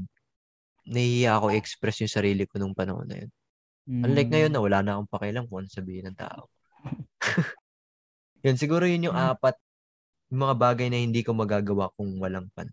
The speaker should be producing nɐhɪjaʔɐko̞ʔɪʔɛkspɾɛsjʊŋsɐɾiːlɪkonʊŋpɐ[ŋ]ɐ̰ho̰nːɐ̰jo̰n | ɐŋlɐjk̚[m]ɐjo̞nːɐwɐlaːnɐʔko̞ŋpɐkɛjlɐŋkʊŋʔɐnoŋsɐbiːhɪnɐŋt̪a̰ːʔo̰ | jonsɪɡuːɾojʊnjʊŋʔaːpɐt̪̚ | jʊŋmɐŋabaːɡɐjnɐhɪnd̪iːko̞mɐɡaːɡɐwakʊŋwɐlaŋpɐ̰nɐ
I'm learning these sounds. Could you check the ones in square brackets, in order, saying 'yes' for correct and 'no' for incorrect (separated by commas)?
no, no